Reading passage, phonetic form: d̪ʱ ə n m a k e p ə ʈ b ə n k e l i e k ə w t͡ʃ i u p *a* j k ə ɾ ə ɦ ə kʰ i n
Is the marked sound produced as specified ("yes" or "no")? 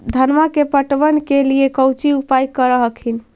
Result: yes